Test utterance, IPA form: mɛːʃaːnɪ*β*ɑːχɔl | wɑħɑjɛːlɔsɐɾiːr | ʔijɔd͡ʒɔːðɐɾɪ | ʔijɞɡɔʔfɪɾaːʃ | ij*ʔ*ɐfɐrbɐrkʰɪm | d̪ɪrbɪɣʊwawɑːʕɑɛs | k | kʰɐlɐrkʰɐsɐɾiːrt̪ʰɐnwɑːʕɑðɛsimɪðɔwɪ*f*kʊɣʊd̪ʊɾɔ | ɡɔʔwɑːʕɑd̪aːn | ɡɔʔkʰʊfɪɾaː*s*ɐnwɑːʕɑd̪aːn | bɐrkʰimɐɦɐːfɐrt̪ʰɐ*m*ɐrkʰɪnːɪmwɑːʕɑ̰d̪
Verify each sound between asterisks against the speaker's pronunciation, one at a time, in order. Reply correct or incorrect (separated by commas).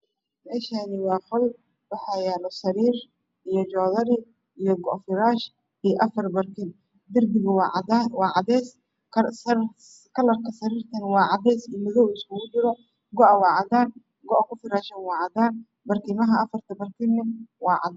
incorrect, correct, incorrect, incorrect, incorrect